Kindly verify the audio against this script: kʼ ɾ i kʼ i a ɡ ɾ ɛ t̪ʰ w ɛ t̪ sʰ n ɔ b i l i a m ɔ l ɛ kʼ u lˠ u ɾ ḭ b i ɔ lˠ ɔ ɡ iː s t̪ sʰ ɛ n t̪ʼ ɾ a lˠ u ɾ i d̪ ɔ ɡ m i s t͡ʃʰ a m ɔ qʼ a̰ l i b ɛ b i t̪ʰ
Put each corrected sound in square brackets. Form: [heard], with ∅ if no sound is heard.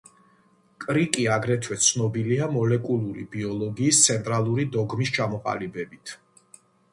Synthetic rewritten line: kʼ ɾ i kʼ i a ɡ ɾ ɛ t̪ʰ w ɛ t̪ sʰ n ɔ b i l i a m ɔ l ɛ kʼ u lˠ u ɾ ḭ b i ɔ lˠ ɔ ɡ iː s t̪ sʰ ɛ n t̪ʼ ɾ a lˠ u ɾ i d̪ ɔ ɡ m i s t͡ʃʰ a m ɔ qʼ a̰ l i b ɛ b i t̪ʰ